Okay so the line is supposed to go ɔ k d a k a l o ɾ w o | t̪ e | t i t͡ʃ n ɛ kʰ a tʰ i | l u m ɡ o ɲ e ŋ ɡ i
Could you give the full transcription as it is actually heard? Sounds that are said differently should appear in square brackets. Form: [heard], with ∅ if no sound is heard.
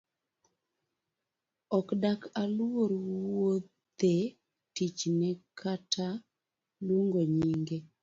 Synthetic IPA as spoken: ɔ k d a k a l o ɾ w o | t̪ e | t i t͡ʃ n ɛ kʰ a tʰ [a] | l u [ŋ] ɡ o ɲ [i] ŋ ɡ [e]